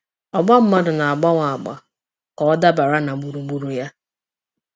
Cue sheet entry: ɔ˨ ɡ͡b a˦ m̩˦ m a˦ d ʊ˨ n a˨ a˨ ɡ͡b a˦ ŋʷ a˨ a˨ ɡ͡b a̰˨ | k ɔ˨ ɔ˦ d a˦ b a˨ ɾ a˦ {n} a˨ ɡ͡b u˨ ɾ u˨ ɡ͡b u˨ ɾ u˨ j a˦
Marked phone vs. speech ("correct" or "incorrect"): correct